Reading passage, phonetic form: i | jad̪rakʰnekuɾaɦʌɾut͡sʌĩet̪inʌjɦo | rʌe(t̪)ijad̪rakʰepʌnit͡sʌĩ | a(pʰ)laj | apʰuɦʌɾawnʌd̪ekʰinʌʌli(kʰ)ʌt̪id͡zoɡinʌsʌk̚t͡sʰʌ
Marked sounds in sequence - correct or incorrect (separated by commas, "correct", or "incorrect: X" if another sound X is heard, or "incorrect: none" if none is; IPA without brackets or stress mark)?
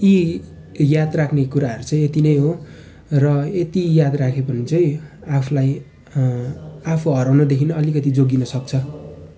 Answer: correct, correct, incorrect: k